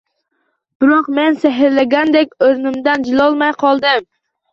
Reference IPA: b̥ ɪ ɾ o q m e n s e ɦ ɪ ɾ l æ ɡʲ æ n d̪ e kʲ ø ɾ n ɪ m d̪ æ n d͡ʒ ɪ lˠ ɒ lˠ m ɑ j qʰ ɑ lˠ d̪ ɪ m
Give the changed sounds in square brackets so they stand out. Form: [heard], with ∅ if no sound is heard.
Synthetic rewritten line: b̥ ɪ ɾ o q m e n s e ɦ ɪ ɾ l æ ɡʲ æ n d̪ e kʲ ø ɾ n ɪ m d̪ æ n d͡ʒ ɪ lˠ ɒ lˠ m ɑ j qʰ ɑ lˠ d̪ ɪ m